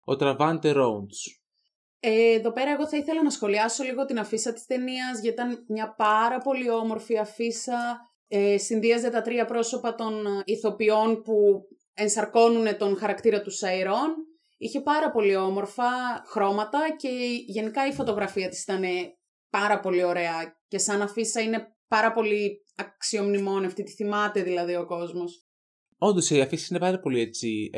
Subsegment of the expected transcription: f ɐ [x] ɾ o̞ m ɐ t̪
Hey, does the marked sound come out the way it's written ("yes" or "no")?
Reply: yes